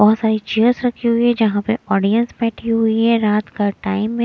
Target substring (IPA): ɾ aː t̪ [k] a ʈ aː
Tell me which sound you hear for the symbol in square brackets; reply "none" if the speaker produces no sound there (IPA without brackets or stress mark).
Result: k